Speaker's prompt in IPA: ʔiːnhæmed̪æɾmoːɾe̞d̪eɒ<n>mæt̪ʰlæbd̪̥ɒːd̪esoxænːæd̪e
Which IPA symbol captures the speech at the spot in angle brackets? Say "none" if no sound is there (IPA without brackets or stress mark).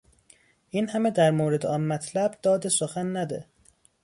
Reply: n